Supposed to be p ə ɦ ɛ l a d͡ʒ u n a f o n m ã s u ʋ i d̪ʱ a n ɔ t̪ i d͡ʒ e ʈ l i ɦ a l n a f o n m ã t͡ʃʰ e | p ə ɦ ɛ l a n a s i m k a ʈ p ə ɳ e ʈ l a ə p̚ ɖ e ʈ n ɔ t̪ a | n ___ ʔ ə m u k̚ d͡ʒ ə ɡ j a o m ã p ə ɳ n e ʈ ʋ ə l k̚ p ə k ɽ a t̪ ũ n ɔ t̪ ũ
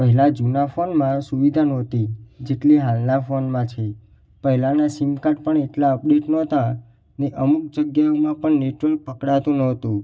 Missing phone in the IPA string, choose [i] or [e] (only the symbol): e